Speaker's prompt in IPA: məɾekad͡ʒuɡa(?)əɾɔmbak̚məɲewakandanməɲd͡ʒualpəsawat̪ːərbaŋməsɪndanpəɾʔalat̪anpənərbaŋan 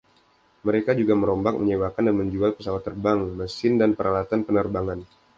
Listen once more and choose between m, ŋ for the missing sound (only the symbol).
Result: m